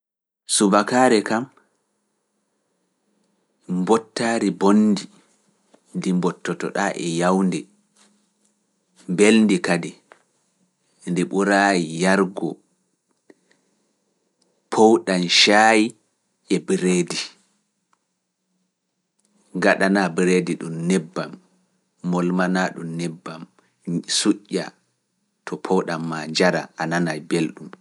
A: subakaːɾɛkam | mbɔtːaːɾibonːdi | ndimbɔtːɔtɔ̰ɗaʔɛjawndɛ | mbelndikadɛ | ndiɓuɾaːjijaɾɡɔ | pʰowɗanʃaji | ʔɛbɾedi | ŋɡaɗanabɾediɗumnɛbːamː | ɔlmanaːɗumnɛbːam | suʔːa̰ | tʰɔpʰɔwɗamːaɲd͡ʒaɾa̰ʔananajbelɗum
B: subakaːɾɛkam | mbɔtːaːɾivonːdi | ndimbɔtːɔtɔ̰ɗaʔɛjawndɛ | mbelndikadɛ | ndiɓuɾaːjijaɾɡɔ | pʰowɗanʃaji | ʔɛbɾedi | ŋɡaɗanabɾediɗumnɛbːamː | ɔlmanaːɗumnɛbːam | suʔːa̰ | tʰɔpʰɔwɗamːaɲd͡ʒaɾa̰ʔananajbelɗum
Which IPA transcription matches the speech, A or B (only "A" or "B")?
A